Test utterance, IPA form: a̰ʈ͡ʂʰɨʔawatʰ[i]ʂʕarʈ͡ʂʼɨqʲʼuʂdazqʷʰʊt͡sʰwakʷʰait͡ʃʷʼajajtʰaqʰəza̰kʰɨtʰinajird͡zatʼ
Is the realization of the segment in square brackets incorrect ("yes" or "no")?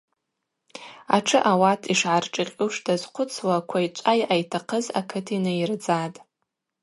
no